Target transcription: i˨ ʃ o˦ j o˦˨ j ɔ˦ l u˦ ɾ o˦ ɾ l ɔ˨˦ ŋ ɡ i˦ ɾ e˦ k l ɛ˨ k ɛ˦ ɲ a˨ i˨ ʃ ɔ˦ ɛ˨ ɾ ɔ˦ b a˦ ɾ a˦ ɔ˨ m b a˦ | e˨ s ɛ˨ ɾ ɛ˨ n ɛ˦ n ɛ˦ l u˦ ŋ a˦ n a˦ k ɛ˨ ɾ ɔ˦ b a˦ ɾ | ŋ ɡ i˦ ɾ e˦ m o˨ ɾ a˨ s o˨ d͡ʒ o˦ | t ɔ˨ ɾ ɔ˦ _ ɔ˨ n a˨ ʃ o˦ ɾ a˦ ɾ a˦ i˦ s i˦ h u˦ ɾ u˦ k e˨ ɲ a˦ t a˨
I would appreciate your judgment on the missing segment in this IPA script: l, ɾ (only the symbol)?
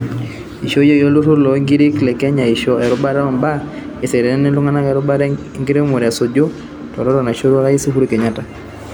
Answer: ɾ